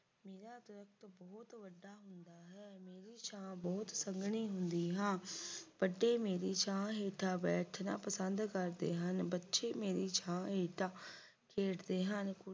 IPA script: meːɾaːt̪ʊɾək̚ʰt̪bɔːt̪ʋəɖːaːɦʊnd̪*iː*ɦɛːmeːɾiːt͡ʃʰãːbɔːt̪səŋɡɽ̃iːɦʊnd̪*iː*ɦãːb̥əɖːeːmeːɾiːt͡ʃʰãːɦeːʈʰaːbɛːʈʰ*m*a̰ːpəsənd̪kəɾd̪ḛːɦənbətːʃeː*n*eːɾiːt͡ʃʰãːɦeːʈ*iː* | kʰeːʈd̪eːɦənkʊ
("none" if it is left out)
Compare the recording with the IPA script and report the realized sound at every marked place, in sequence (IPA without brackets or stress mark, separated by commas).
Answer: aː, iː, n, m, aː